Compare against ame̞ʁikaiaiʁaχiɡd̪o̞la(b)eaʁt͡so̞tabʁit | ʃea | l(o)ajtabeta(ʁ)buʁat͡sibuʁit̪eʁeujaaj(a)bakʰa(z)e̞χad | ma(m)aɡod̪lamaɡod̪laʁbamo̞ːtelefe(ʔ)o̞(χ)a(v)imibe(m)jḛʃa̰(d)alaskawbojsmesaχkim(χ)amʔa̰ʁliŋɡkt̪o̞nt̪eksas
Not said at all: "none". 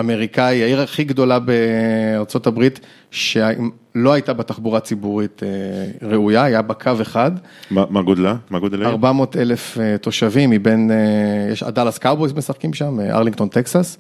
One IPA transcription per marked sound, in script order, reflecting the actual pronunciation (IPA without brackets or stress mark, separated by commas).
b, o, χ, a, v, m, t, ʃ, v, n, d, ʃ